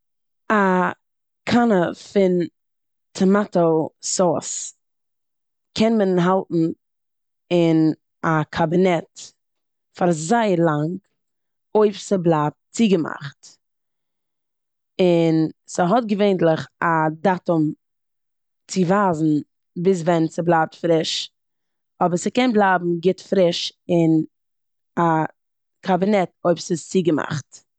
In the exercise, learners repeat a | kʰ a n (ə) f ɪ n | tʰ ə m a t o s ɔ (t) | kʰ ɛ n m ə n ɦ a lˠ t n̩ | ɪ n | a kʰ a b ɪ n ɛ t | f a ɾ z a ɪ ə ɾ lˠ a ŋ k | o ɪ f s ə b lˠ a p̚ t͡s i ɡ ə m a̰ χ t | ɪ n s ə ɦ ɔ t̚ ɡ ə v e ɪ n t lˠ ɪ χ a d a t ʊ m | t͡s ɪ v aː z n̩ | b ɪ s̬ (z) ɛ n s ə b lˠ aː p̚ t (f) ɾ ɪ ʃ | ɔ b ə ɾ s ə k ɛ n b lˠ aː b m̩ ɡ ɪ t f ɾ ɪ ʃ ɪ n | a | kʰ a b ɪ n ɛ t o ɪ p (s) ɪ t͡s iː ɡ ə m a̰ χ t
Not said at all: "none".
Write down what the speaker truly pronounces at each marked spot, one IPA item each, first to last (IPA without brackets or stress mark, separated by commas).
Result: ə, s, v, f, s